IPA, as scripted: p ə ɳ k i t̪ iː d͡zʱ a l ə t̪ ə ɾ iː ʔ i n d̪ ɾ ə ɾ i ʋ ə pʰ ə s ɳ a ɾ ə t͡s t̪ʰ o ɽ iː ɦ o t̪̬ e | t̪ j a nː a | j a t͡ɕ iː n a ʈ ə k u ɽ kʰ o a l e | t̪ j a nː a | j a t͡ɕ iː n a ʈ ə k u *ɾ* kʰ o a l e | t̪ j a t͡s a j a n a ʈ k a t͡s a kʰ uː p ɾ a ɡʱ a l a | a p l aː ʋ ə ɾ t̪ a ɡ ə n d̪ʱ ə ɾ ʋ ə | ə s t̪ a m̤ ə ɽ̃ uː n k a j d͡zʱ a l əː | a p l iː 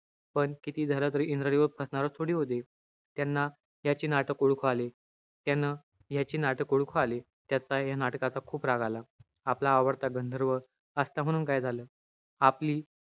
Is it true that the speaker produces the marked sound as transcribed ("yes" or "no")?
no